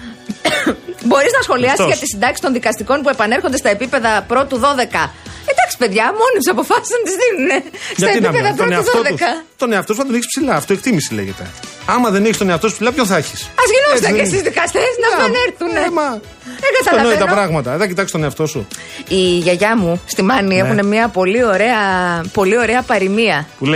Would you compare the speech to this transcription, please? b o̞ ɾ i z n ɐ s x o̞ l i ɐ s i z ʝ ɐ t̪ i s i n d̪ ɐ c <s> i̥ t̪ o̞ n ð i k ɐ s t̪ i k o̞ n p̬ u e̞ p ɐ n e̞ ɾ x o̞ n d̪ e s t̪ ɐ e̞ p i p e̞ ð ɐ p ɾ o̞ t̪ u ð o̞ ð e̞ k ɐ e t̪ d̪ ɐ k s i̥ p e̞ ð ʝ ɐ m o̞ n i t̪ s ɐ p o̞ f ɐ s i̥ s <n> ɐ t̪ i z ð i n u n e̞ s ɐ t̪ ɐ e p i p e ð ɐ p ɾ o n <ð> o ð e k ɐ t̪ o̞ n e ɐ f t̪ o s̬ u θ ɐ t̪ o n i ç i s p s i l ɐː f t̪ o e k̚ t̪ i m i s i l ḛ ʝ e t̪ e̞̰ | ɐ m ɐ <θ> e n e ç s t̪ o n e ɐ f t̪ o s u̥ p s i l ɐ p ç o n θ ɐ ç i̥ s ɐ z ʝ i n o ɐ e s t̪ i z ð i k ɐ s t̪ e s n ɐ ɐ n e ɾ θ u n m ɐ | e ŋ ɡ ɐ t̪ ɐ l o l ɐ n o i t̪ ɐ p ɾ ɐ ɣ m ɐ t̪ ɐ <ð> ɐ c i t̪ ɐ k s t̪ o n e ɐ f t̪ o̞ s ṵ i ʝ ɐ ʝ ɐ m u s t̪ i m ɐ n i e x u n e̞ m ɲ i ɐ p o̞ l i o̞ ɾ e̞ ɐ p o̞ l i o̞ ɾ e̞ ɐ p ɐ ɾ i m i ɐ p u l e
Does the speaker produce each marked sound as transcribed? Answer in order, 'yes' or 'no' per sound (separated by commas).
yes, yes, yes, no, yes